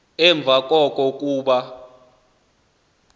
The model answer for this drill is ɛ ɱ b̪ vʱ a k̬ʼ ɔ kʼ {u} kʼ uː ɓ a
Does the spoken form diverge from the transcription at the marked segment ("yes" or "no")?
yes